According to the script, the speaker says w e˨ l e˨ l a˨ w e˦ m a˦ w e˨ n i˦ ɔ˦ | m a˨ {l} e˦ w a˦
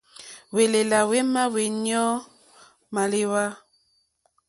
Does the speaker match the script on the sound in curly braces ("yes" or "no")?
yes